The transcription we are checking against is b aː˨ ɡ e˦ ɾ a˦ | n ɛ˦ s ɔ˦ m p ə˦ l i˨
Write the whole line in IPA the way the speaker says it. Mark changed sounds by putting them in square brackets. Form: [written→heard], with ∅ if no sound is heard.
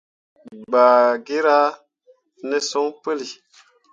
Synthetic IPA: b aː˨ ɡ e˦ ɾ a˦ | n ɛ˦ s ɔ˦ [m→ŋ] p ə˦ l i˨